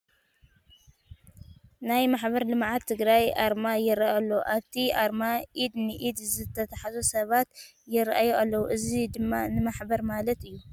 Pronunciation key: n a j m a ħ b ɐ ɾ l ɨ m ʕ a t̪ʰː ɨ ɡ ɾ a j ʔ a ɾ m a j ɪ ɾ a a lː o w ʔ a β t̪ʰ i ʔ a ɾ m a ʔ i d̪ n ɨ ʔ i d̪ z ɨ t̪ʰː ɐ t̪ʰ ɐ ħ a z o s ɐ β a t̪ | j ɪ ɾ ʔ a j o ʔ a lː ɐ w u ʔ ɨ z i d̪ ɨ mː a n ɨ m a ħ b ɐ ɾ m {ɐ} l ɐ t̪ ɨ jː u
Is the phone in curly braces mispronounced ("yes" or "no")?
yes